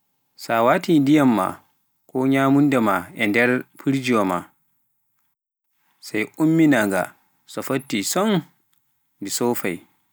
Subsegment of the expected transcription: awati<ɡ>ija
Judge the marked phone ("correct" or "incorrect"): incorrect